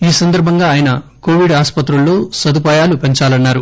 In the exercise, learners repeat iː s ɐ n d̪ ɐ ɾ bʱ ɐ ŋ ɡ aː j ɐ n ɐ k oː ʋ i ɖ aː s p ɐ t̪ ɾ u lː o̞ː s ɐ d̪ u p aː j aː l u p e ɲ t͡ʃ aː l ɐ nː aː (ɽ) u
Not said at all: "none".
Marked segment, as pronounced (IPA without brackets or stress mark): ɾ